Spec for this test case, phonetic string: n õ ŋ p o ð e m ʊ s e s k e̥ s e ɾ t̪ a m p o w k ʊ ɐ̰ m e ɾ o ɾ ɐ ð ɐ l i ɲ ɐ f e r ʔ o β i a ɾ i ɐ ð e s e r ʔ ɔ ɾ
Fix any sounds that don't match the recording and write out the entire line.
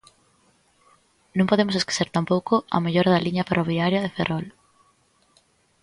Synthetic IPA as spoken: n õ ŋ p o ð e m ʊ s e s k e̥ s e ɾ t̪ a m p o w k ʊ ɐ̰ m e ʎ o ɾ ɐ ð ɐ l i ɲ ɐ f e r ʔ o β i a ɾ j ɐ ð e f e r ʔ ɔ l